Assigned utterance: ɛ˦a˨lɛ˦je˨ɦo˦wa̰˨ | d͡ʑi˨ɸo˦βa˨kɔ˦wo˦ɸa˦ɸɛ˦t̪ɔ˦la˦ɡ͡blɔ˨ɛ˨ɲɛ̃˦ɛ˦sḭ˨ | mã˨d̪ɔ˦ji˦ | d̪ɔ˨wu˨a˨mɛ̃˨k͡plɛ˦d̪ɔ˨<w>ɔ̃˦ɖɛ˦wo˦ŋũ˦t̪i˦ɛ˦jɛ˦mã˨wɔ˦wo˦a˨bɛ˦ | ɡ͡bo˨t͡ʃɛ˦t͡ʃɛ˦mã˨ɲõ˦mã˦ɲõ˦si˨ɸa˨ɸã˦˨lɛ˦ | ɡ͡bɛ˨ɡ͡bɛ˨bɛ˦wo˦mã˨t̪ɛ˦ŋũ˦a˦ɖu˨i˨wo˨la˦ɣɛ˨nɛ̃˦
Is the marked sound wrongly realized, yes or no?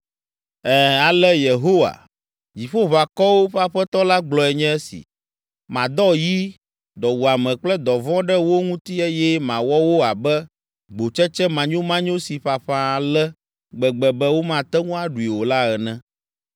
yes